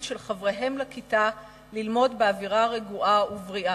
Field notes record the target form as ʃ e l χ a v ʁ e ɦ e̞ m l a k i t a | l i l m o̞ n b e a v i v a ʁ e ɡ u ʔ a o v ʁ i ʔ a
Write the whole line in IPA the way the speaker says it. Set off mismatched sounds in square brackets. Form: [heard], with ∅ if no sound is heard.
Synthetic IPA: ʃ e l χ a v ʁ e ɦ e̞ m l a k i t a | l i l m o̞ [d] b e a v i [ʁ] a ʁ e ɡ u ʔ a [u] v ʁ i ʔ a